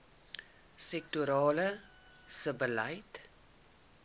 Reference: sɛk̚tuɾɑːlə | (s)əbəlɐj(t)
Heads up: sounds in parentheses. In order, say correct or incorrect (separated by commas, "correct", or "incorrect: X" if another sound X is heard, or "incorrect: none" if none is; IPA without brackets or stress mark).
correct, correct